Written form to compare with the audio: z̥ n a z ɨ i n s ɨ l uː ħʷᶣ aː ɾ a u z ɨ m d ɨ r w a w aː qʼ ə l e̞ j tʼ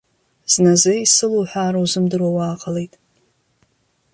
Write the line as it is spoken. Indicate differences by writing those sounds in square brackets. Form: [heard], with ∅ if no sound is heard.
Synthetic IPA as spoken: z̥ n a z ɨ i [∅] s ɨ l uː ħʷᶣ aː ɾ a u z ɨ m d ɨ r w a w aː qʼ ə l e̞ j tʼ